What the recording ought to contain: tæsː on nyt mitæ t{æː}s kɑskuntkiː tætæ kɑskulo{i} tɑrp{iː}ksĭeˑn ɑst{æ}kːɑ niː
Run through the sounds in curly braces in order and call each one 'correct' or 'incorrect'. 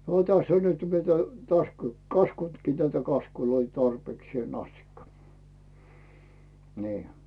incorrect: æ, correct, incorrect: eː, incorrect: i

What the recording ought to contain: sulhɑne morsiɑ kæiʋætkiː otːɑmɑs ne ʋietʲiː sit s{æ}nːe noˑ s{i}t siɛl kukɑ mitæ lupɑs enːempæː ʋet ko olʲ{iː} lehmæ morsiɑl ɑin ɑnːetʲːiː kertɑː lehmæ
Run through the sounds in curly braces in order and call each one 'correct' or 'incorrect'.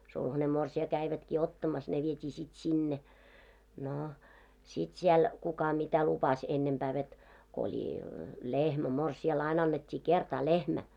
incorrect: i, correct, incorrect: i

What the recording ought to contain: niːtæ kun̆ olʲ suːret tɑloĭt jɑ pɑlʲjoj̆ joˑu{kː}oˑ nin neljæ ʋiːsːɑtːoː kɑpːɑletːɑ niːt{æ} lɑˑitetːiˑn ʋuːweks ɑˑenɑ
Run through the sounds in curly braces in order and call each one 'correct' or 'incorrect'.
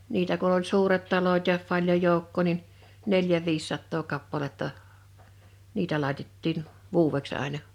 correct, correct

